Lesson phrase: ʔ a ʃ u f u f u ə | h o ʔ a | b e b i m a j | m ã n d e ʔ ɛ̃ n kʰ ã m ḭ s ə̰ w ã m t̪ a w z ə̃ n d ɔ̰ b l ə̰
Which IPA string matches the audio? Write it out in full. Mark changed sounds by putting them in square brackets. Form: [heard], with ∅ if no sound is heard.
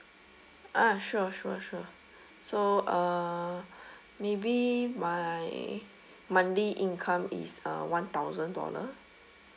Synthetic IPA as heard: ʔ a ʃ u [ʃ] u [ʃ] u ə | [s] o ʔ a | [m] e b i m a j | m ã n d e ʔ [ĩ] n kʰ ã m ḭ s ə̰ w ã [n] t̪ a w z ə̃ n d ɔ̰ [∅] l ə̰